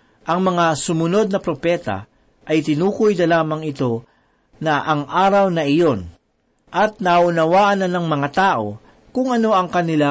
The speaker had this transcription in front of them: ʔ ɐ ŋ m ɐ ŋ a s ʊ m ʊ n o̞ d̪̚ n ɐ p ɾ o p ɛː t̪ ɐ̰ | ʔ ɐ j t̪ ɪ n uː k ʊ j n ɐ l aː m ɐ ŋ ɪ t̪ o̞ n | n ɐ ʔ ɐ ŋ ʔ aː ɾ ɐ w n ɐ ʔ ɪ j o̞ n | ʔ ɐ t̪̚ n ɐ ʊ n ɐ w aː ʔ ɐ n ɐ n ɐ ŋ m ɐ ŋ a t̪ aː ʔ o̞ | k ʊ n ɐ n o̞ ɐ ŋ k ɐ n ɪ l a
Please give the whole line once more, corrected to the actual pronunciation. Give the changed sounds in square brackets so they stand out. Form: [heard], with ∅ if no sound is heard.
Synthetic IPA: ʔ ɐ ŋ m ɐ ŋ a s ʊ m ʊ n o̞ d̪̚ n ɐ p ɾ o p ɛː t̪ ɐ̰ | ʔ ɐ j t̪ ɪ n uː k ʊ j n ɐ l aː m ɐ ŋ ɪ t̪ o̞ [∅] | n ɐ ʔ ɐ ŋ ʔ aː ɾ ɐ w n ɐ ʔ ɪ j o̞ n | ʔ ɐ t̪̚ n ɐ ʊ n ɐ w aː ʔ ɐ n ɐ n ɐ ŋ m ɐ ŋ a t̪ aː ʔ o̞ | k ʊ [ŋ] ɐ n o̞ ɐ ŋ k ɐ n ɪ l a